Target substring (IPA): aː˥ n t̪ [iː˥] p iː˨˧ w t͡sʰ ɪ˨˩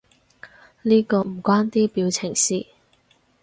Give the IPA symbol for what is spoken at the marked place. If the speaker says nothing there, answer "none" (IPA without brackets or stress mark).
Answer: iː˥